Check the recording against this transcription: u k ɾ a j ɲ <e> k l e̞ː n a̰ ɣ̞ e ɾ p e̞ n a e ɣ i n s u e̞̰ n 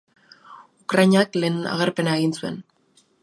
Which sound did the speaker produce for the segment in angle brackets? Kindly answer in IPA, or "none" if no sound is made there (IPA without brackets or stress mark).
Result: a